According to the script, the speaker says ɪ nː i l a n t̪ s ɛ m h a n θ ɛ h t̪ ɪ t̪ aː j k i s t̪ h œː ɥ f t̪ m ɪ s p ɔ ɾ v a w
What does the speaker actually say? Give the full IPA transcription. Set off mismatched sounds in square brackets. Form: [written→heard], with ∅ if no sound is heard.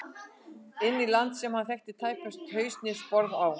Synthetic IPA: ɪ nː i l a n t̪ s ɛ m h a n θ ɛ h t̪ ɪ [t̪→t̪ʰ] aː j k [i→a] s t̪ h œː ɥ [f→s] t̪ [m→n] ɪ s p ɔ ɾ [v→ð] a w